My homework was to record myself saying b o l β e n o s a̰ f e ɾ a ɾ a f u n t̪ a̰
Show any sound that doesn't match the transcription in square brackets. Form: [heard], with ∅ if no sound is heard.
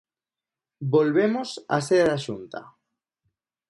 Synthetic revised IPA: b o l β e [m] o s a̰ [s] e ɾ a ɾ a [ʃ] u n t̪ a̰